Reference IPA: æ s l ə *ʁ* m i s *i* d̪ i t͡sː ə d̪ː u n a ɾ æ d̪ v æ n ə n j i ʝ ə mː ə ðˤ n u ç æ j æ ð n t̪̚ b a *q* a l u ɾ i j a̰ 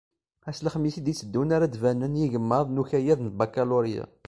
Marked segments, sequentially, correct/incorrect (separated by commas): incorrect, correct, incorrect